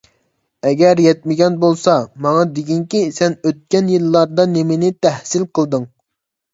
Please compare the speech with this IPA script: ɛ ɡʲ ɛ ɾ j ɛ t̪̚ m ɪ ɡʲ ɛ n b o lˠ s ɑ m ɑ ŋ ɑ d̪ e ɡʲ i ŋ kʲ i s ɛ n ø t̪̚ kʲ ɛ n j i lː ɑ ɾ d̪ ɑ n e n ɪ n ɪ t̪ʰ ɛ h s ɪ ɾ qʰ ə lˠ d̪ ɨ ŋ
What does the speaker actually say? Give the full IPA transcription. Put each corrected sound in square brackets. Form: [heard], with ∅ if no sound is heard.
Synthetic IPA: ɛ ɡʲ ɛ ɾ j ɛ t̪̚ m ɪ ɡʲ ɛ n b o lˠ s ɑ m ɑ ŋ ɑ d̪ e ɡʲ i ŋ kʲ i s ɛ n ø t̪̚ kʲ ɛ n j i lː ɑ ɾ d̪ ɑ n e [m] ɪ n ɪ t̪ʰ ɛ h s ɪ [l] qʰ ə lˠ d̪ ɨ ŋ